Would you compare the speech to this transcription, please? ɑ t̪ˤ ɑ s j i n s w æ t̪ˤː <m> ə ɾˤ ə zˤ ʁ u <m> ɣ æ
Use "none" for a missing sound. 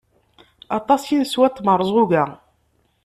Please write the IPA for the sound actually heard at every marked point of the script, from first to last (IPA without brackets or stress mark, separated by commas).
m, none